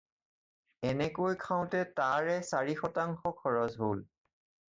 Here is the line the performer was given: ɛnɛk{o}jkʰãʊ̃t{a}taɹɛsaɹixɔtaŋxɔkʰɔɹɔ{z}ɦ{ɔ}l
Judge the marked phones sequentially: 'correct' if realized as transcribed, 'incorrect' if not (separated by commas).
correct, incorrect, correct, incorrect